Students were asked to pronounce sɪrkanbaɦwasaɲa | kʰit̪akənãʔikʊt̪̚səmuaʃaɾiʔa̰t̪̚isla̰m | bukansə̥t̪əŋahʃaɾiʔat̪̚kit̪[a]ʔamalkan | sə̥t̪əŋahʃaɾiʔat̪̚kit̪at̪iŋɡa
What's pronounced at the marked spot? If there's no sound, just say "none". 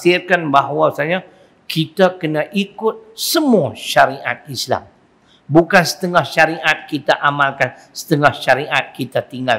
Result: a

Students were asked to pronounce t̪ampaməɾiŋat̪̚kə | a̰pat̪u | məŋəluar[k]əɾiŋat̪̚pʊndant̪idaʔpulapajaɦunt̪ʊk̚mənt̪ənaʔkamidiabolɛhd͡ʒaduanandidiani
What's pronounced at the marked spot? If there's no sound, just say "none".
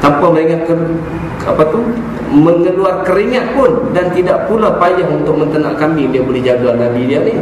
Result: k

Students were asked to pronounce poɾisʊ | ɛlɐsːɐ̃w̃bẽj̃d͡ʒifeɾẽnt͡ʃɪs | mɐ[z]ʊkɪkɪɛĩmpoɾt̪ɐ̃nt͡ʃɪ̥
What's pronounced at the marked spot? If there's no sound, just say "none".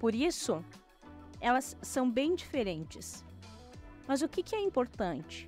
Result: z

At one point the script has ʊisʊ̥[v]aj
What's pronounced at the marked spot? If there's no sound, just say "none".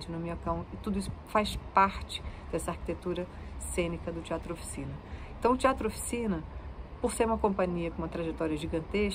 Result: f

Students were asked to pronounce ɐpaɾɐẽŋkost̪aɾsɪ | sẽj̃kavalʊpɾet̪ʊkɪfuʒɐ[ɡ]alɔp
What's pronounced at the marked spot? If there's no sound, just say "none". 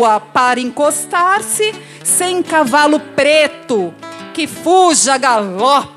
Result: ɡ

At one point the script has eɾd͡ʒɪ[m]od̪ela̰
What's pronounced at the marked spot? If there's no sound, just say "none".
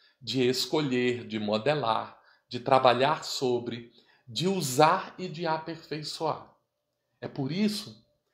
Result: m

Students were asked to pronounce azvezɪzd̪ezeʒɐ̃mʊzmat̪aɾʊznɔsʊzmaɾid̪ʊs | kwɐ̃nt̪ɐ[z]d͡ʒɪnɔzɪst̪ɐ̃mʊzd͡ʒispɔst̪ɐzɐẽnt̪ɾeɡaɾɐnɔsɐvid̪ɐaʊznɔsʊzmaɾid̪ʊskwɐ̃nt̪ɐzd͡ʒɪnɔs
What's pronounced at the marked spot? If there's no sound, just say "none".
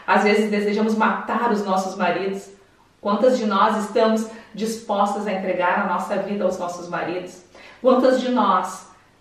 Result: z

